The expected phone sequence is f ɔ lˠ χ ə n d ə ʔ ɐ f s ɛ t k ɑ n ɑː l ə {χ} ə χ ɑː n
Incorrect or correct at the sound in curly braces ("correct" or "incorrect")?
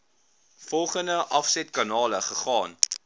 correct